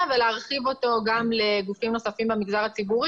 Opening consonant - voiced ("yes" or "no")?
yes